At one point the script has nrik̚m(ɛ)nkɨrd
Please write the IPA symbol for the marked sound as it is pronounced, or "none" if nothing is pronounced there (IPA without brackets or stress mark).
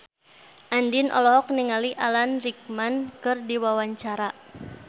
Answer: a